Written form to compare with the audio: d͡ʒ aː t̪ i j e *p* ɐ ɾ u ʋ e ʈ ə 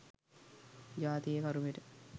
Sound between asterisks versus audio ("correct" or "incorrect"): incorrect